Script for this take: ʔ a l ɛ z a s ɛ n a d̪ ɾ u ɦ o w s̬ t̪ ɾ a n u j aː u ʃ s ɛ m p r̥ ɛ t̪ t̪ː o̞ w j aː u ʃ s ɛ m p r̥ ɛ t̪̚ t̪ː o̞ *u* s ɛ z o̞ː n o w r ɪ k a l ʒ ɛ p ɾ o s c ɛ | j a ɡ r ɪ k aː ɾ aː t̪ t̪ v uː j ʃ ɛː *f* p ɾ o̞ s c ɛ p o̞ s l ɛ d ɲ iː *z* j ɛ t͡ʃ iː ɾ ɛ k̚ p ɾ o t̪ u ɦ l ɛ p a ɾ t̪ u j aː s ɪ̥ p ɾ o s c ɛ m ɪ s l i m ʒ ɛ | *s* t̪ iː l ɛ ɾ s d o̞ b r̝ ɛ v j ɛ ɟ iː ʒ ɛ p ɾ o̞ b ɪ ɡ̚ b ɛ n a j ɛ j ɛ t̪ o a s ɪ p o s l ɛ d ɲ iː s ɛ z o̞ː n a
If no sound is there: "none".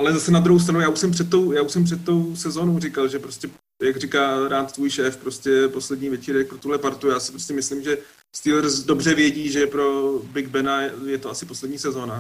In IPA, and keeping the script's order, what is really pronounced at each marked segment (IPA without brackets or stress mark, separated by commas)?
w, f, v, s